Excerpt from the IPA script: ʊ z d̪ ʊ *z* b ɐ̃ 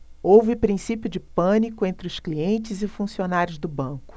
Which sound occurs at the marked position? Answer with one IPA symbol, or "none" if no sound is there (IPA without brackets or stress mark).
none